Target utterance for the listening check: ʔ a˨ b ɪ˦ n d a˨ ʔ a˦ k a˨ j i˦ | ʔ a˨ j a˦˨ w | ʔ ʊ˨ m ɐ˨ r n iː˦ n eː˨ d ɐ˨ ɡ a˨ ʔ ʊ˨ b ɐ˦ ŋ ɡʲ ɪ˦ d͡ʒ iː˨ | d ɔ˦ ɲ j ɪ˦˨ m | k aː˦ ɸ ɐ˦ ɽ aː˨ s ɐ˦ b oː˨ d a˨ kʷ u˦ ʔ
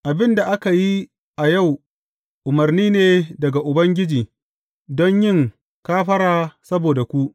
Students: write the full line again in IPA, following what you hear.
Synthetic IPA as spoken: ʔ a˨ b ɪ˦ n d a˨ ʔ a˦ k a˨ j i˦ | ʔ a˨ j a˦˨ w | ʔ ʊ˨ m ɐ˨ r n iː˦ n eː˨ d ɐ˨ ɡ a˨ ʔ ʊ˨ b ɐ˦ ŋ ɡʲ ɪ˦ d͡ʒ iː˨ | d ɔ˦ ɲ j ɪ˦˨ ŋ | k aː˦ ɸ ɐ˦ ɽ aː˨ s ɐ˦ b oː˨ d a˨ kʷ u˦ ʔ